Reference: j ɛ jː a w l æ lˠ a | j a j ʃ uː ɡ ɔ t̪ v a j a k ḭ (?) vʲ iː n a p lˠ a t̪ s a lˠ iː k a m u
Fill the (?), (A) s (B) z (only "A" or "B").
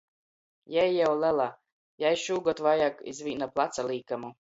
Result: B